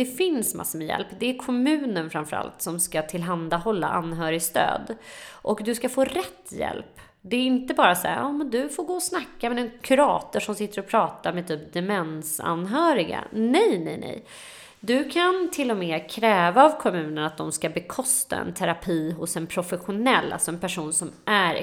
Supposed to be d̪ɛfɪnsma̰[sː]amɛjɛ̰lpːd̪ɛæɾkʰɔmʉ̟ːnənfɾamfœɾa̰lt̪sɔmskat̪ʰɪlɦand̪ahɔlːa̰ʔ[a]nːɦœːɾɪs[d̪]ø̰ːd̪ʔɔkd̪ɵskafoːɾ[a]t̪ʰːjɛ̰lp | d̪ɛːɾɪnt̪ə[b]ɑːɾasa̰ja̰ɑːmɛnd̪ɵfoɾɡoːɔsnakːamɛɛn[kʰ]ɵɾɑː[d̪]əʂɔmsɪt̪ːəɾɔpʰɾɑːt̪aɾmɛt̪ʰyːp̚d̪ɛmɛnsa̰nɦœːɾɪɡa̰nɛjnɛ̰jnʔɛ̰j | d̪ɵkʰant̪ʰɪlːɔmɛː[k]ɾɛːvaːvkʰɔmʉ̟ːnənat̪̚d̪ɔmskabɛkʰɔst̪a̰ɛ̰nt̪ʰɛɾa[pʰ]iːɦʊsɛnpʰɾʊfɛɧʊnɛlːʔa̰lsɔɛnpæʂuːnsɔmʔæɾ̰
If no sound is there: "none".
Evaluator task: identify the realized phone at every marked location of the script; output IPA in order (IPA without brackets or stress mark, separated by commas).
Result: sː, a, t̪, ɛ, b, kʰ, t̪, kʰ, pʰ